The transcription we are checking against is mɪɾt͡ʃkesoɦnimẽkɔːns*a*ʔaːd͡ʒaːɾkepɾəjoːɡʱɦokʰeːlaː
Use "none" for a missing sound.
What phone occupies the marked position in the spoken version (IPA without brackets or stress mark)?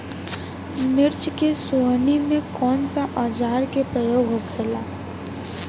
a